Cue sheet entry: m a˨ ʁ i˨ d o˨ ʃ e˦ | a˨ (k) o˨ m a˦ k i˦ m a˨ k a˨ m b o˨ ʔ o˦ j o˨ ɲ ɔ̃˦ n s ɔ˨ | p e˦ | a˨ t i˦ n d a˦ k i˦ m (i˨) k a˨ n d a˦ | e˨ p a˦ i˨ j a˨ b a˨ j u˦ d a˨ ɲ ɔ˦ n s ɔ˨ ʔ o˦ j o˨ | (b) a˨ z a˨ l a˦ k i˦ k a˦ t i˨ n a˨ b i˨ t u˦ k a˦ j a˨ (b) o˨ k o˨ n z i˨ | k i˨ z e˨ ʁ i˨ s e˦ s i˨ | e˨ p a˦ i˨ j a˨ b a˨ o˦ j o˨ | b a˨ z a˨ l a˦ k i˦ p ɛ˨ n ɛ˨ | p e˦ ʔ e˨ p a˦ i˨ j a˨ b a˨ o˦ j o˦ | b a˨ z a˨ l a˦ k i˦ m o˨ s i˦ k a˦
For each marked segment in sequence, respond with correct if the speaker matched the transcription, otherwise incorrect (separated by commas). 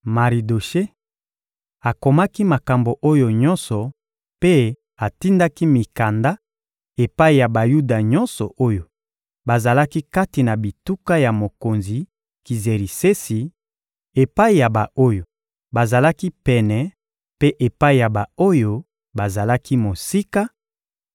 correct, correct, correct, incorrect